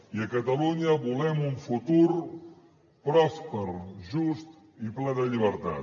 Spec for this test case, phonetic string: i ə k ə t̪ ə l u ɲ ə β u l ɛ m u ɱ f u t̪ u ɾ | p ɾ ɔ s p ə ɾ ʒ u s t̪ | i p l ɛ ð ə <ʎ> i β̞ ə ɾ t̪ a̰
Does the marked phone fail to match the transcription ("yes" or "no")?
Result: no